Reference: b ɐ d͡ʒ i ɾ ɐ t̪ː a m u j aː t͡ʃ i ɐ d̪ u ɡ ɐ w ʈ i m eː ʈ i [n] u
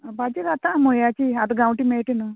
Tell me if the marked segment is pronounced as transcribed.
yes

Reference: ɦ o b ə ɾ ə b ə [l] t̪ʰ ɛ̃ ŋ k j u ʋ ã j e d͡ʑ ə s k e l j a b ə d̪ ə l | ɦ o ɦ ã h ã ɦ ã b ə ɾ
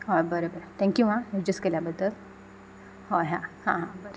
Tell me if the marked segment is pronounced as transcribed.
no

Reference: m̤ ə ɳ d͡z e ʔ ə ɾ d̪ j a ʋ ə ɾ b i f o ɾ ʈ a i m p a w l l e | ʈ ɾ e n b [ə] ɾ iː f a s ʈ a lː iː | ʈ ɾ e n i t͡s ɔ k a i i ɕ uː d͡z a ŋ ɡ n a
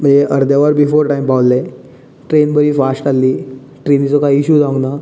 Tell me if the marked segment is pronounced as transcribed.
yes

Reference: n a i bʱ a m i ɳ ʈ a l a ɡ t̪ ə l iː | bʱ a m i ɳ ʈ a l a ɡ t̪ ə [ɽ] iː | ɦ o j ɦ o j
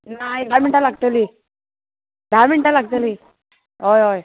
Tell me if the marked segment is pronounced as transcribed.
no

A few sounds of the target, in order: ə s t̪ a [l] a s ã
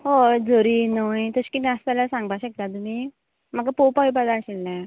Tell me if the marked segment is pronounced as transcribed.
yes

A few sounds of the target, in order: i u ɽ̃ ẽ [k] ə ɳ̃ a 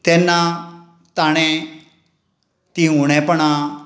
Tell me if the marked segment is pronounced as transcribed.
no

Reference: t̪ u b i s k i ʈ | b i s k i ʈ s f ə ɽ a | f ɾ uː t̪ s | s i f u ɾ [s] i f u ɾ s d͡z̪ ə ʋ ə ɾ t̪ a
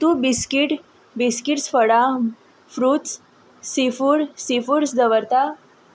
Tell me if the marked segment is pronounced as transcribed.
yes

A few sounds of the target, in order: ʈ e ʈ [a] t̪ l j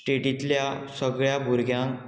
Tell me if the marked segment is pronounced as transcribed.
no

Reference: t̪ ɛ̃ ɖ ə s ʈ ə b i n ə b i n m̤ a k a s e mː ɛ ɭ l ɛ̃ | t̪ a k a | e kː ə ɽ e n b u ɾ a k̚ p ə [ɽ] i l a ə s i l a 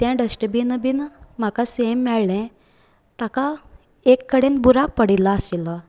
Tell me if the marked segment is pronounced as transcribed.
yes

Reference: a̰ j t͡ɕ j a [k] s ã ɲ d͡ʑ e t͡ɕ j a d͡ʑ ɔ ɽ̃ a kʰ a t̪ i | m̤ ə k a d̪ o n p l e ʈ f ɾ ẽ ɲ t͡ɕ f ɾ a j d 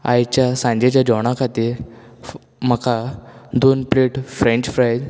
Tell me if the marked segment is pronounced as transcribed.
no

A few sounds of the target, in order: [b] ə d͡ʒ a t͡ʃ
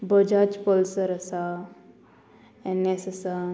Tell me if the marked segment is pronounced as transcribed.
yes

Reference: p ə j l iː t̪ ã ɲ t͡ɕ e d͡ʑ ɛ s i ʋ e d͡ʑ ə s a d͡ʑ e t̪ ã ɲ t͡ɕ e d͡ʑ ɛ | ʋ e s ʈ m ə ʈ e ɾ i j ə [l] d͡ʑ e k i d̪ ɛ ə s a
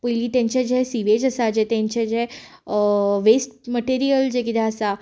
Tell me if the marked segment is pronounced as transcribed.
yes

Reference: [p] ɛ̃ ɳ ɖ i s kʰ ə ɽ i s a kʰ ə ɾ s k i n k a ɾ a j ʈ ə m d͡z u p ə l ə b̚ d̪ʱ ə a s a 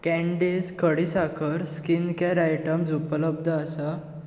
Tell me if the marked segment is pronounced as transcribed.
no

